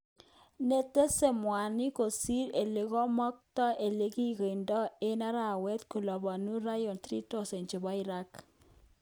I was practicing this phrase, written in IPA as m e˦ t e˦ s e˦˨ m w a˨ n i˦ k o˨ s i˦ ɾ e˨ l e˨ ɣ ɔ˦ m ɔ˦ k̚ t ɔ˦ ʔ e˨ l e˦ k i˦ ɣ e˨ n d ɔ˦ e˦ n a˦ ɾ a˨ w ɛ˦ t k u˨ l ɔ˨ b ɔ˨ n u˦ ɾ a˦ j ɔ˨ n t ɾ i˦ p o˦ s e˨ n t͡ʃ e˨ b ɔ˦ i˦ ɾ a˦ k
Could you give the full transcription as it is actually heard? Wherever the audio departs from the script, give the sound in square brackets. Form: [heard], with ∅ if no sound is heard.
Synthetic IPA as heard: [n] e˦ t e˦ s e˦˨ m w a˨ n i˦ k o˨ s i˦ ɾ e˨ l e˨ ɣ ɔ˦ m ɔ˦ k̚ t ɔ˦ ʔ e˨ l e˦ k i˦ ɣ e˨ n d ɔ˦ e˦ n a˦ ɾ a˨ w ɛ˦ t k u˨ l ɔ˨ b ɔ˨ n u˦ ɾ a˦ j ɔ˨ n t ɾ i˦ [t] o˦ s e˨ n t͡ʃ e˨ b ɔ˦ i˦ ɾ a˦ k